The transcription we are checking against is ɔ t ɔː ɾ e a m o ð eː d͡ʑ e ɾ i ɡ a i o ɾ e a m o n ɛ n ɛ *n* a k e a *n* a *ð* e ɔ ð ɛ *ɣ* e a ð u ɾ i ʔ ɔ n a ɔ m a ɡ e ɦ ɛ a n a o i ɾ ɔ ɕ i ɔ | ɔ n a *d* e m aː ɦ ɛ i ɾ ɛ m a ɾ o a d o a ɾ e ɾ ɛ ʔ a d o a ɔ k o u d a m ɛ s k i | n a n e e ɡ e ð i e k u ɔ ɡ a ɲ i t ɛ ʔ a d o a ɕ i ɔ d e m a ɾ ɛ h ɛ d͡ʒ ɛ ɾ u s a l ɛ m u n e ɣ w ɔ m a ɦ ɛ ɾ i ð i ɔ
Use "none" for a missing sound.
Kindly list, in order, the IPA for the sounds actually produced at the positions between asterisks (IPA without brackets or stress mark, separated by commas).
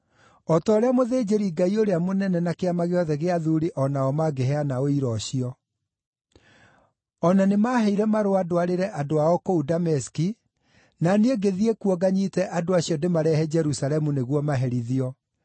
n, m, ɣ, ɣ, n